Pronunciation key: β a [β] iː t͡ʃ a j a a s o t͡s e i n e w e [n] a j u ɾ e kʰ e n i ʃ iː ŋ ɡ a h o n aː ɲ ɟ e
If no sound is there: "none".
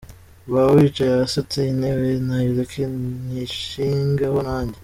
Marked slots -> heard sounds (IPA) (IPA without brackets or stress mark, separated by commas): w, n